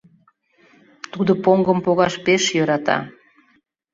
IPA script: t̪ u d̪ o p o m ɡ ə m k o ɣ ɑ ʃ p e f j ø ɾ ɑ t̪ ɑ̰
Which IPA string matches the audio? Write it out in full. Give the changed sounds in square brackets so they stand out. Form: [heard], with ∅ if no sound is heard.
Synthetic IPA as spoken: t̪ u d̪ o p o [ŋ] ɡ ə m [p] o ɣ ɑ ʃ p e [ʃ] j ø ɾ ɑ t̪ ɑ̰